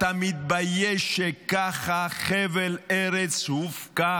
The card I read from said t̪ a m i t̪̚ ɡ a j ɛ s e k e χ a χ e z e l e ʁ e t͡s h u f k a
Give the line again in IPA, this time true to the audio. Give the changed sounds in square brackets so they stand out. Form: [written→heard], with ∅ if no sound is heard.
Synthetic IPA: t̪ a m i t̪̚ [ɡ→b] a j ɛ [s→ʃ] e k [e→a] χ a χ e [z→v] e l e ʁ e t͡s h u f k a